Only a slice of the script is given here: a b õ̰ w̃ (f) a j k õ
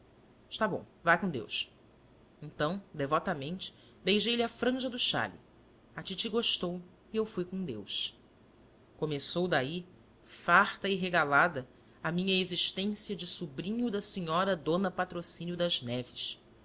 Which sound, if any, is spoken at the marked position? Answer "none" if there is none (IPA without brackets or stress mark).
v